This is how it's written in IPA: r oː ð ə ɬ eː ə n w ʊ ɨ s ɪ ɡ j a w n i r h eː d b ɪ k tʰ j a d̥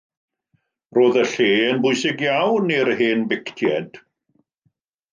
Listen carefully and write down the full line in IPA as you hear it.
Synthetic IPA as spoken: r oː ð ə ɬ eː ə n b ʊ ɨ s ɪ ɡ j a w n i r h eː n b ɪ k tʰ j ɛ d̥